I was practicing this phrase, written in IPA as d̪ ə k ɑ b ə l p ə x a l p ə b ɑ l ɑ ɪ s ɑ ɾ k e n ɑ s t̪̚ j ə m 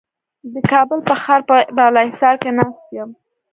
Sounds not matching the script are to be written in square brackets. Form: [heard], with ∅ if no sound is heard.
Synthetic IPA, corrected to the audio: d̪ ə k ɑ b ə l p ə x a [ɾ] p ə b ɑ l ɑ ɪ s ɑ ɾ k e n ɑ s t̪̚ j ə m